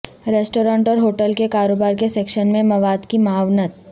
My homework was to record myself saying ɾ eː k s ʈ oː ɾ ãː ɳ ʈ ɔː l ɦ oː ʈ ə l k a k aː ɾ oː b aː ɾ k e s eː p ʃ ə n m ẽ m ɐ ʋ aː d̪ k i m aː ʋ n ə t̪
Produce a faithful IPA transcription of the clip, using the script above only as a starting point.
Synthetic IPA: ɾ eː s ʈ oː ɾ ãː ɳ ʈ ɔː ɾ ɦ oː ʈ ə l k e k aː ɾ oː b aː ɾ k e s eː k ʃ ə n m ẽ m ɐ ʋ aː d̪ k i m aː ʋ n ə t̪

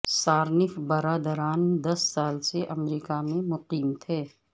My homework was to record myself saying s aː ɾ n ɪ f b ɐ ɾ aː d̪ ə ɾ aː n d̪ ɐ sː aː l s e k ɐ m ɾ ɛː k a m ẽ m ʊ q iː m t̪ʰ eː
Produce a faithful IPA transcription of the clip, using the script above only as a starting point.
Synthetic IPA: s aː ɾ n ɪ f b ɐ ɾ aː d̪ ə ɾ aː n d̪ ɐ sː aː l s e ʔ ɐ m ɾ iː k a m ẽ m ʊ q iː m t̪ʰ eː

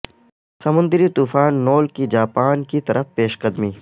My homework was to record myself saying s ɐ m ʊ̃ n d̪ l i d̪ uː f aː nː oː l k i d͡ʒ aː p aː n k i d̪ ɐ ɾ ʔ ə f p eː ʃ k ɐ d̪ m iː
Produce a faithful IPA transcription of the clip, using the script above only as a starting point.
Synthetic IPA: s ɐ m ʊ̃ n d̪ ɾ i t̪ uː f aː nː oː l k i d͡ʒ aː p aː n k i t̪ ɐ ɾ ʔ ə f p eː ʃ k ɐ d̪ m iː

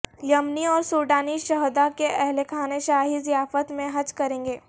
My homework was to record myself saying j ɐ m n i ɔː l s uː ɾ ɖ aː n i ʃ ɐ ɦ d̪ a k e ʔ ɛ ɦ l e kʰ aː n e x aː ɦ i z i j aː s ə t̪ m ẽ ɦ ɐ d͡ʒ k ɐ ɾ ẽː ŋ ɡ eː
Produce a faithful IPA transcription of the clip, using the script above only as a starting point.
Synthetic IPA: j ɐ m n i ɔː ɾ s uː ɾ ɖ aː n i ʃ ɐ ɦ d̪ a k e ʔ ɛ ɦ l e kʰ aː n e ʃ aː ɦ i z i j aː f ə t̪ m ẽ ɦ ɐ d͡ʒ k ɐ ɾ ẽː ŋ ɡ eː

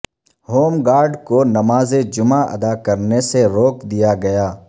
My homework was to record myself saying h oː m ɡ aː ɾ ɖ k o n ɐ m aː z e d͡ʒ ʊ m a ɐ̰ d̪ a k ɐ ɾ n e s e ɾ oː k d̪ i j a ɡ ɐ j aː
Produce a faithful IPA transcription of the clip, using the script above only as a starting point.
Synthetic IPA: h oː m ɡ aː ɾ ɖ k o n ɐ m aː z e d͡ʒ ʊ m a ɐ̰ d̪ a k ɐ ɾ n e s e ɾ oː k d̪ i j a ɡ ɐ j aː

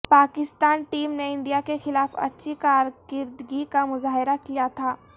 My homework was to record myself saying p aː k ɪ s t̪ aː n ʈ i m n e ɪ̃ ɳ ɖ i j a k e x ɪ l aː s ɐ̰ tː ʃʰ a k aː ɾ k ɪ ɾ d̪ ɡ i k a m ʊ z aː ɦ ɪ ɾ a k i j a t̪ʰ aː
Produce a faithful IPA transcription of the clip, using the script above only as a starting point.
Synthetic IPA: p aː k ɪ s t̪ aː n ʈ iː m n e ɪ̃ ɳ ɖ i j a k e x ɪ l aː f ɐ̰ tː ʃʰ i k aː ɾ k ɪ ɾ d̪ ɡ i k a m ʊ z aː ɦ ɪ ɾ a k i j a t̪ʰ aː

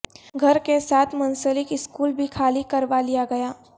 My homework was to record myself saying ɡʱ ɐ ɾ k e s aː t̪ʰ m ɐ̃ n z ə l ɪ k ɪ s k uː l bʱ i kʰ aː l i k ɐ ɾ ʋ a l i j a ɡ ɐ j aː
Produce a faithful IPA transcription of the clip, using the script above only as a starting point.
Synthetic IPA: ɡʱ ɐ ɾ k e s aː t̪ʰ m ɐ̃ n s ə l ɪ k ɪ s k uː l bʱ i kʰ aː l i k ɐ ɾ ʋ a l i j a ɡ ɐ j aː

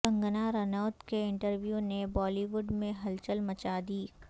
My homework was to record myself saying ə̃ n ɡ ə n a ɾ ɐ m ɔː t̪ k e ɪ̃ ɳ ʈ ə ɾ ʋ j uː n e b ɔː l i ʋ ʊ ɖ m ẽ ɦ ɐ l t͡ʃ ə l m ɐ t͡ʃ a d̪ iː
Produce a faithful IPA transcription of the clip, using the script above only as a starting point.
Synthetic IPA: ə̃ ŋ ɡ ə n a ɾ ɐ n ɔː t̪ k e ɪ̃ ɳ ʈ ə ɾ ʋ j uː n e b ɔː l i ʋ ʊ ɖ m ẽ ɦ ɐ l t͡ʃ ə l m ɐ t͡ʃ a d̪ iː

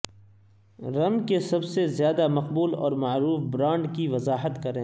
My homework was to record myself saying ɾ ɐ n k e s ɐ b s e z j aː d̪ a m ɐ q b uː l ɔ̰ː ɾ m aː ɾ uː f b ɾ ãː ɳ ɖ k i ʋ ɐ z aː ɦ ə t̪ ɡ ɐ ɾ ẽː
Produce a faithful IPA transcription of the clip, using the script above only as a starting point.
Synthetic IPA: ɾ ɐ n k e s ɐ b s e z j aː d̪ a m ɐ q b uː l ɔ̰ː ɾ m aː ɾ uː f b ɾ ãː ɳ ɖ k i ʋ ɐ z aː ɦ ə t̪ k ɐ ɾ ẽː

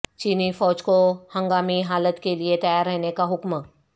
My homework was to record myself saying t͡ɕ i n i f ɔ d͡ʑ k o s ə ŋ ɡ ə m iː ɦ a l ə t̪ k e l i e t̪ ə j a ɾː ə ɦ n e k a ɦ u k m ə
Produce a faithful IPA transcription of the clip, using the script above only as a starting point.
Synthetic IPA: t͡ɕ i n i f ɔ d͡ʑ k o h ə ŋ ɡ a m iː ɦ a l ə t̪ k e l i e t̪ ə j a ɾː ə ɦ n e k a ɦ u k m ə

